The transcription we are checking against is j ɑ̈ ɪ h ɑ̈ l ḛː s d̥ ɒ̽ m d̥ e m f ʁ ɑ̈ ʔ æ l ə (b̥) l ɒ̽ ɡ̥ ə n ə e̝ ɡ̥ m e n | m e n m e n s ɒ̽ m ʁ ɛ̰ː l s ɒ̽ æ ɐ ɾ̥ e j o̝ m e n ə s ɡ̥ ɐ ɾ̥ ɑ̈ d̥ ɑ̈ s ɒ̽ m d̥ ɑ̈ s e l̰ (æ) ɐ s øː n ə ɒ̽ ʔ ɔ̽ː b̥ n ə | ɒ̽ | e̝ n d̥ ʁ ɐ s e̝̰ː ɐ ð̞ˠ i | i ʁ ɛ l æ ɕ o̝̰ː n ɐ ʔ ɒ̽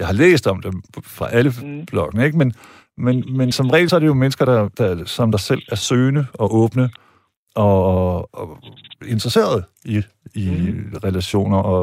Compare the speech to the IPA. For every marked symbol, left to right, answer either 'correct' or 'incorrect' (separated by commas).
correct, correct